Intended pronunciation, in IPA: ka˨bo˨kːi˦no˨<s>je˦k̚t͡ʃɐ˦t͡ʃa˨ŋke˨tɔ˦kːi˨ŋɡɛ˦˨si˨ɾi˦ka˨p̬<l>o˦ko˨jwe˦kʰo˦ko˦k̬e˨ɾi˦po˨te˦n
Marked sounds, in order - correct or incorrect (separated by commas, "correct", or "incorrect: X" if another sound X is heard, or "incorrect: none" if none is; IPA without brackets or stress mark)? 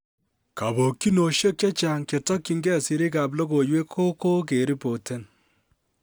incorrect: ʃ, correct